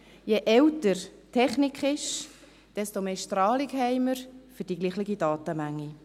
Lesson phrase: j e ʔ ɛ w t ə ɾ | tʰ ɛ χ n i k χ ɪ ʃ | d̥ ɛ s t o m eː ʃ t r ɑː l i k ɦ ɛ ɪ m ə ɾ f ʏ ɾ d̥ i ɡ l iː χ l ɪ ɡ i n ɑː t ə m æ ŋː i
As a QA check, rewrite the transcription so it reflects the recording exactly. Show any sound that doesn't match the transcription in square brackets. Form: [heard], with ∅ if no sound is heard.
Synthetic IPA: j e ʔ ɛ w t ə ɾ | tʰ ɛ χ n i k χ ɪ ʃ | d̥ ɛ s t o m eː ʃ t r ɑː l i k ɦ ɛ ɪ m ə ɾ f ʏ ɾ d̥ i ɡ l iː χ l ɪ ɡ i [d] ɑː t ə m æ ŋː i